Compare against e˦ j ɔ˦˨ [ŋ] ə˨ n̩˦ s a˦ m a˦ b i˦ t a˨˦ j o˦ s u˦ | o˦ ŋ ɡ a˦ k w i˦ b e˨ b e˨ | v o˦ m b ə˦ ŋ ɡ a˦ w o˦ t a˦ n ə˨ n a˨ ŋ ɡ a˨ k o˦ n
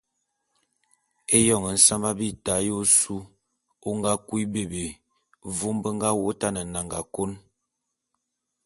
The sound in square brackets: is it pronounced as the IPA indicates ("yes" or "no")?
yes